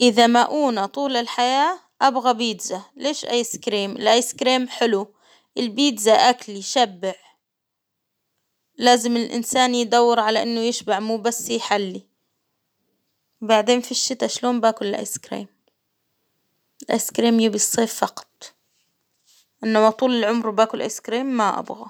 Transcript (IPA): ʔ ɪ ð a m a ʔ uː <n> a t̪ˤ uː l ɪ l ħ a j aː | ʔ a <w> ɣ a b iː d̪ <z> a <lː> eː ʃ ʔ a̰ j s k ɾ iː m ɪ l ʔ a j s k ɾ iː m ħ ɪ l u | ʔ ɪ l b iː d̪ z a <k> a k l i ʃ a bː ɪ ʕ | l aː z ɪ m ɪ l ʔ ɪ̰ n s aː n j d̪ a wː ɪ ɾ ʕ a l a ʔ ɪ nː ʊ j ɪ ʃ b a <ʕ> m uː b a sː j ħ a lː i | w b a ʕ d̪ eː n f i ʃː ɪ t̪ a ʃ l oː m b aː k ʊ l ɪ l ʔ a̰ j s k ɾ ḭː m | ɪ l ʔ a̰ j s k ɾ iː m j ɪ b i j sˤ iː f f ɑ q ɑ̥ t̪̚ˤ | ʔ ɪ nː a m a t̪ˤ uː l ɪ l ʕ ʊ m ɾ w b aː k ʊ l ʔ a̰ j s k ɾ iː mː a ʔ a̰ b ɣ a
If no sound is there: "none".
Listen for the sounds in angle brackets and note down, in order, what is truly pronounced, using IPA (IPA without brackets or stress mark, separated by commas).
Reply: n, b, z, l, ʔ, ʕ